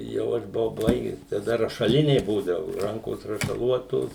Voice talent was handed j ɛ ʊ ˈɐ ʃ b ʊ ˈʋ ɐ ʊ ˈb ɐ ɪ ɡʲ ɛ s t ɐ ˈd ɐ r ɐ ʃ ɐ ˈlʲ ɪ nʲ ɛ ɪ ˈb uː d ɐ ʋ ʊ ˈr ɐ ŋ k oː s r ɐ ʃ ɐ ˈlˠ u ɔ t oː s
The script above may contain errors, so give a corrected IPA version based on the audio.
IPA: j ɛ ʊ ˈɐ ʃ b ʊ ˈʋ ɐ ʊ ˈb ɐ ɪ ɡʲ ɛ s t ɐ ˈd ɐ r ɐ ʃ ɐ ˈlʲ ɪ nʲ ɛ ɪ ˈb uː d ɐ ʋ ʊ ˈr ɐ ŋ k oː s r ɐ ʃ ɐ ˈlˠ u ɔ t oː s